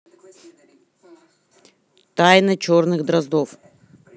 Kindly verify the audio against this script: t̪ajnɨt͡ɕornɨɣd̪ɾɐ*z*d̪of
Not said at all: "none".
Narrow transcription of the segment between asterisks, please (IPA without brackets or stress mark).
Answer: z